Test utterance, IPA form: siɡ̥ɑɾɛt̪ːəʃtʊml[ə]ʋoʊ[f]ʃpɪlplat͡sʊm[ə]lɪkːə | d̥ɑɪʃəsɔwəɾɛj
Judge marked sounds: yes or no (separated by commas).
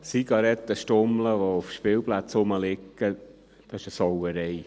yes, yes, yes